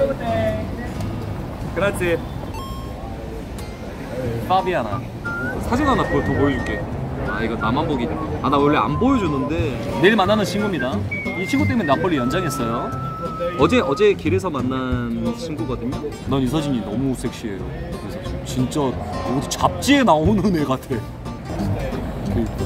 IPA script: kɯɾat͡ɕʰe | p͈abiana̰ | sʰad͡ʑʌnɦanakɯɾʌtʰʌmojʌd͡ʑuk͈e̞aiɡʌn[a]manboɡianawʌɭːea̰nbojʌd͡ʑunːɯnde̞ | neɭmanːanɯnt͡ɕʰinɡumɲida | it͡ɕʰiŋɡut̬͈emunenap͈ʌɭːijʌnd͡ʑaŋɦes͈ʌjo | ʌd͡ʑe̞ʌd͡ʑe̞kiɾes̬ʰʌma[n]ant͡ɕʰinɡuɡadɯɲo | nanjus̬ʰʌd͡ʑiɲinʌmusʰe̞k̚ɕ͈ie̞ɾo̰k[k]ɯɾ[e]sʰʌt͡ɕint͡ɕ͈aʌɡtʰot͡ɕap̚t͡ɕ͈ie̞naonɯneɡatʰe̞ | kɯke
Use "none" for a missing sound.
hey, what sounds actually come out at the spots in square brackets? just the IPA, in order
a, nː, k, e

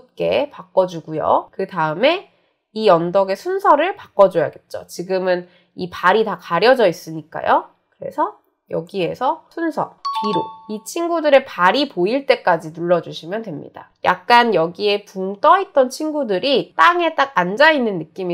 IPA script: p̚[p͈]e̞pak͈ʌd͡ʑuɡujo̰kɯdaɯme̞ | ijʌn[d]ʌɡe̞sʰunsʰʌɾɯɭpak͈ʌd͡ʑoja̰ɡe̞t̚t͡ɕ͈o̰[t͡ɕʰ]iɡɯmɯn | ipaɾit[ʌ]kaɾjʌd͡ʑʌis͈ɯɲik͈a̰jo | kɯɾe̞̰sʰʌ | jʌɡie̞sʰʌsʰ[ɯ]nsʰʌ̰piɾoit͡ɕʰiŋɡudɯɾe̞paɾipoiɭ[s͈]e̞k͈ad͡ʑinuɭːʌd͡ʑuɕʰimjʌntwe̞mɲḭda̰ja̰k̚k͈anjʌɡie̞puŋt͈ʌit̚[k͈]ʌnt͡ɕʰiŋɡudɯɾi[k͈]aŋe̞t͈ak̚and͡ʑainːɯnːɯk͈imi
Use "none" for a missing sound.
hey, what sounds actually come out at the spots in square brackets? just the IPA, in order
k͈, d, t͡ɕ, a, u, t͈, t͈, t͈

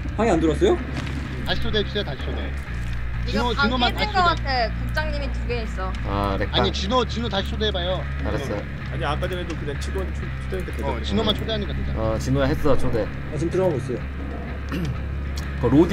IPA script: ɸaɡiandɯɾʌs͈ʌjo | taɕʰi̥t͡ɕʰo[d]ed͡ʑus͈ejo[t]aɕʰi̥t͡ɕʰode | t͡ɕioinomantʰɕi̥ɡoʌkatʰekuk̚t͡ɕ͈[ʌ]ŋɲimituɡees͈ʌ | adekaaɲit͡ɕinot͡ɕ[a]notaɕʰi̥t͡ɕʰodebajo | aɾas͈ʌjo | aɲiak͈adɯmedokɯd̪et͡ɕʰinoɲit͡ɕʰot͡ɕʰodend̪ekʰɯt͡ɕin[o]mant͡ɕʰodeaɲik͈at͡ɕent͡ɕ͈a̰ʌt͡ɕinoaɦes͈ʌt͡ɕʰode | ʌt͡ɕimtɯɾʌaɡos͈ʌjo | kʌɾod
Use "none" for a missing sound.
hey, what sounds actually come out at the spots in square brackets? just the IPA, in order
d, t, a, i, o

